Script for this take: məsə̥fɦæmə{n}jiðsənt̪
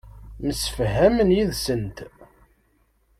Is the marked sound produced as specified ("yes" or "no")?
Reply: yes